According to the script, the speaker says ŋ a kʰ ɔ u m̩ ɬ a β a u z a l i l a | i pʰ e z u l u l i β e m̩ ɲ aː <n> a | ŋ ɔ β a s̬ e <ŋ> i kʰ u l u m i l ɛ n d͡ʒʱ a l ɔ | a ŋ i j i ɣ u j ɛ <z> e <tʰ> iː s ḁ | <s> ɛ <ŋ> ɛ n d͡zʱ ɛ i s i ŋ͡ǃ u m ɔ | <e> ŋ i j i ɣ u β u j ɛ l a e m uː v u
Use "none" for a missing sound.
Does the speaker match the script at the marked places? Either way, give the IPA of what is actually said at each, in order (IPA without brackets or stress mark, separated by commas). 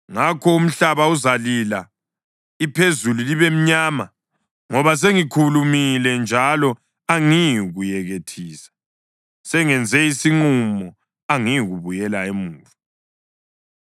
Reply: m, ŋ, ɣ, tʰ, s, ŋ, a